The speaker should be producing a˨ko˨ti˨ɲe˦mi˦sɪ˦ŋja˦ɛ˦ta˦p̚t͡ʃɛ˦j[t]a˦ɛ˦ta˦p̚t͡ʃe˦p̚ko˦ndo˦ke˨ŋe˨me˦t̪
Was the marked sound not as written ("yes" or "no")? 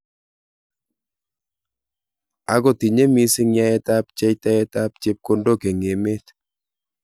no